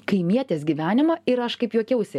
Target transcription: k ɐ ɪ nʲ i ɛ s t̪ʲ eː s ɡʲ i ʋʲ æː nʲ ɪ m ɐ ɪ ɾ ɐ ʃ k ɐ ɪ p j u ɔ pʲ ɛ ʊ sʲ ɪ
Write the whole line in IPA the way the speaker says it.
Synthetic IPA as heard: k ɐ ɪ mʲ i ɛ t̪ʲ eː s ɡʲ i ʋʲ æː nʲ ɪ m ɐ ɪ ɾ ɐ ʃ k ɐ ɪ p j u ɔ kʲ ɛ ʊ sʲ ɪ